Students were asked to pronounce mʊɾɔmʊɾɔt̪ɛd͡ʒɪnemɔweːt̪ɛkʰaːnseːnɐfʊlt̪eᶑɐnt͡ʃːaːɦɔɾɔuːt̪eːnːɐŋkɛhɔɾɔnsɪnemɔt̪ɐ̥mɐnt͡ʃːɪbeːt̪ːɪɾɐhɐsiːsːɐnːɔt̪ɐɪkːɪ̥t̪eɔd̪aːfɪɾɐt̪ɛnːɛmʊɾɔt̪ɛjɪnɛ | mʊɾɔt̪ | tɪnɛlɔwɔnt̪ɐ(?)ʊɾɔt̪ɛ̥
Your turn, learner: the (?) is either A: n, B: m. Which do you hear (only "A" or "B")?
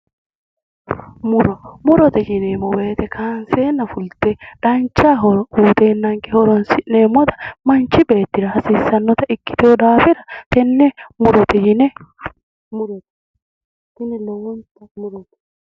B